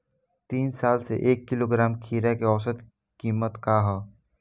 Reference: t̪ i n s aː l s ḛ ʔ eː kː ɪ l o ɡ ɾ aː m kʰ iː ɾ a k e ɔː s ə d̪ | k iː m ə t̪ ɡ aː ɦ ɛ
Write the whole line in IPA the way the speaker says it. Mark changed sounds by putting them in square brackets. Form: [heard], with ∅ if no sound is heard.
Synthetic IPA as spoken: t̪ [iː] n s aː l s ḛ ʔ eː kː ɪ l o ɡ ɾ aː m kʰ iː ɾ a k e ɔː s ə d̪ | k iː m ə t̪ [k] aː ɦ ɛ